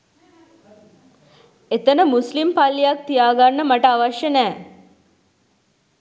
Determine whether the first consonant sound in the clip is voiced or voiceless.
voiceless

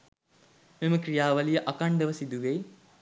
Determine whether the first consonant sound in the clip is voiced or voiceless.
voiced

